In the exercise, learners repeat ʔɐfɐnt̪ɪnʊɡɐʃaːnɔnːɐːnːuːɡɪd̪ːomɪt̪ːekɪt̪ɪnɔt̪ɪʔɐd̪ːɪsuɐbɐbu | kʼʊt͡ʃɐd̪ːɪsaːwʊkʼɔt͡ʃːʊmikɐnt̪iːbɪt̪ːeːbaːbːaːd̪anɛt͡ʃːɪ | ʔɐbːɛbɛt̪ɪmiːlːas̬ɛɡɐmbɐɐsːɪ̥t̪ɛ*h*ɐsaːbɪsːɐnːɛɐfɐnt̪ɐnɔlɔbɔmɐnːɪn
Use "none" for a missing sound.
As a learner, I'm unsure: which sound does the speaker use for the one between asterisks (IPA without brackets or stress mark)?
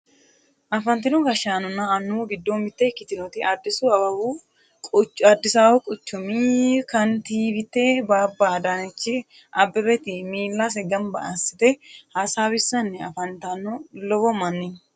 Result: h